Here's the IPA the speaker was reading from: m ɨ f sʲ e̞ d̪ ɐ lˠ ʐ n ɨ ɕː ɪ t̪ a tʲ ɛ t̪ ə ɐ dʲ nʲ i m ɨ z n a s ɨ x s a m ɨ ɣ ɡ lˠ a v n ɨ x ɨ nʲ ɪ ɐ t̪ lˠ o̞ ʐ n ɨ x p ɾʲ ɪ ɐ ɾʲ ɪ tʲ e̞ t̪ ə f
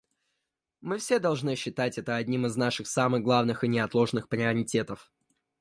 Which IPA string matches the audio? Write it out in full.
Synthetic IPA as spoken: m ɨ f sʲ e̞ d̪ ɐ lˠ ʐ n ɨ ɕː ɪ t̪ a tʲ ɛ t̪ ə ɐ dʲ nʲ i m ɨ z n a ʂ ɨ x s a m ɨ ɣ ɡ lˠ a v n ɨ x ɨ nʲ ɪ ɐ t̪ lˠ o̞ ʐ n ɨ x p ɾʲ ɪ ɐ ɾʲ ɪ tʲ e̞ t̪ ə f

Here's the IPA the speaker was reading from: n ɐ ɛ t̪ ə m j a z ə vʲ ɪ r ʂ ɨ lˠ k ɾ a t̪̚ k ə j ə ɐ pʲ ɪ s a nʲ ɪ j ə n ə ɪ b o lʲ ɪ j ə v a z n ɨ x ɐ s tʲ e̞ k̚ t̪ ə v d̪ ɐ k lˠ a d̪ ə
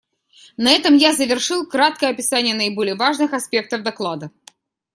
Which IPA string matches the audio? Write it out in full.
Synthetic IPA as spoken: n ɐ ɛ t̪ ə m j a z ə vʲ ɪ r ʂ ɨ lˠ k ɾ a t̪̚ k ə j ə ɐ pʲ ɪ s a nʲ ɪ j ə n ə ɪ b o lʲ ɪ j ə v a ʐ n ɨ x ɐ s pʲ e̞ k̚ t̪ ə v d̪ ɐ k lˠ a d̪ ə

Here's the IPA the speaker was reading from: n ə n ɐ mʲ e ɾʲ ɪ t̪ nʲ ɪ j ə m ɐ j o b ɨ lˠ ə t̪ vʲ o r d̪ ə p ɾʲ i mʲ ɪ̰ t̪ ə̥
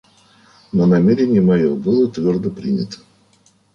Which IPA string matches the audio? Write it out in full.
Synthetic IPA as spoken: n ə n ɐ mʲ e ɾʲ ɪ nʲ ɪ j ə m ɐ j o b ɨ lˠ ə t̪ vʲ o r d̪ ə p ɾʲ i nʲ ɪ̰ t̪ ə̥

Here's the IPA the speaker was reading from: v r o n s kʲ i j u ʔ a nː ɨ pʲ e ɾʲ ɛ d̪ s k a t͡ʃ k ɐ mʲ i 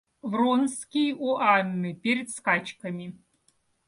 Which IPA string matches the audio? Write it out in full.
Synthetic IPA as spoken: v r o n s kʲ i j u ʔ a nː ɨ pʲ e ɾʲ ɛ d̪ s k a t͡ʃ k ɐ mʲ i

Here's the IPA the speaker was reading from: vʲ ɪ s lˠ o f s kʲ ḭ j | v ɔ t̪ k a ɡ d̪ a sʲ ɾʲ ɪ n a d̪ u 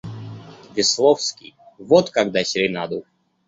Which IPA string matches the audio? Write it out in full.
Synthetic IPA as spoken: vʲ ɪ s lˠ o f s kʲ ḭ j | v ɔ t̪ k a ɡ d̪ a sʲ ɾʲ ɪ n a d̪ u

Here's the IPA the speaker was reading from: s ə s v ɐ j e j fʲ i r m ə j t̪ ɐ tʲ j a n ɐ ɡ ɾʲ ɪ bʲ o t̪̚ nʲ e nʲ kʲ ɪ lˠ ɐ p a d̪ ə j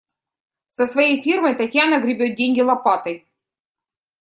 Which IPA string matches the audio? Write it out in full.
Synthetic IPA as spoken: s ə s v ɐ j e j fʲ i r m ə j t̪ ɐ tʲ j a n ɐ ɡ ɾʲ ɪ bʲ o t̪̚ dʲ e nʲ ɡʲ ɪ lˠ ɐ p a t̪ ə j

